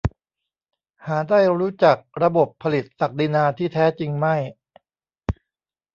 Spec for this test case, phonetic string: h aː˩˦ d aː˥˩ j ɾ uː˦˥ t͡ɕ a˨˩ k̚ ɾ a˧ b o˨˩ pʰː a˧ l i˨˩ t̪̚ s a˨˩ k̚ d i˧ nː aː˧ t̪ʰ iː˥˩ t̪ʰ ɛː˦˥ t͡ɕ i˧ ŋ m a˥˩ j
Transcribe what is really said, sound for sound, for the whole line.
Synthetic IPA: h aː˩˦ d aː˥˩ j ɾ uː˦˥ t͡ɕ a˨˩ k̚ ɾ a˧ b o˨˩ pʰː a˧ l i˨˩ t̪̚ s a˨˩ k̚ d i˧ n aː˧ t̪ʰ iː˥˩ t̪ʰ ɛː˦˥ t͡ɕ i˧ ŋ m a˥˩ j